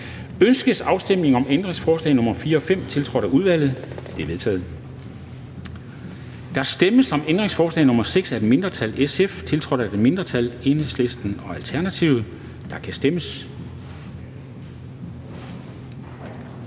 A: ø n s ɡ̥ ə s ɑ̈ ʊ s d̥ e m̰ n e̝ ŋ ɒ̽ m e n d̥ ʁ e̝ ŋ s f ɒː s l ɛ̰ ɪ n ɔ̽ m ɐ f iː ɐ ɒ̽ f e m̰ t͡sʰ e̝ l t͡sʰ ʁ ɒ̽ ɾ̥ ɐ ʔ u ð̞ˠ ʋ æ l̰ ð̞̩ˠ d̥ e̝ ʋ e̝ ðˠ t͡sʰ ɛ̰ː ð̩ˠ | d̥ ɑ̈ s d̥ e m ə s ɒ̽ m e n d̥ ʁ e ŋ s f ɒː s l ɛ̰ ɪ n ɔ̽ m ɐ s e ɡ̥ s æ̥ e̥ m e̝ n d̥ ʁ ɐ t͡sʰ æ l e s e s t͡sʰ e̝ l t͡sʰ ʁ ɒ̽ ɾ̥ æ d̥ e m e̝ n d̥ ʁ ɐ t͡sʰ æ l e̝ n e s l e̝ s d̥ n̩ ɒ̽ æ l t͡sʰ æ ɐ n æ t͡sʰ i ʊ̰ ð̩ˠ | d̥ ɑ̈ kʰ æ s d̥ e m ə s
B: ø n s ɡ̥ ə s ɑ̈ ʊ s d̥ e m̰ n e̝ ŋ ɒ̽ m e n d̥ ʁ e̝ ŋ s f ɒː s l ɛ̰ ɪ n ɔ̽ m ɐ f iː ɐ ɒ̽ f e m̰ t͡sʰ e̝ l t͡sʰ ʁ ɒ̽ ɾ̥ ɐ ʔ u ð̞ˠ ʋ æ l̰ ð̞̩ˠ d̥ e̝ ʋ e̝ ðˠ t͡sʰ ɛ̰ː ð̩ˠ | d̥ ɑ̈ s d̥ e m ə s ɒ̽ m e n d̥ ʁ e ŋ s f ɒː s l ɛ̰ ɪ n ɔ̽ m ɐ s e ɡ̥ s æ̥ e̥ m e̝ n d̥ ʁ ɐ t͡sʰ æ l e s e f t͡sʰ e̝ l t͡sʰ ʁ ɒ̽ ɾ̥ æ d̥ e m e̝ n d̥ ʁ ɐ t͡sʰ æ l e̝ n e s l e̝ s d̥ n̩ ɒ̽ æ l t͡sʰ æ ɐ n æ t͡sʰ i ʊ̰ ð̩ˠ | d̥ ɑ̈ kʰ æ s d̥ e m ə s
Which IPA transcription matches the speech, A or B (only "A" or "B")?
B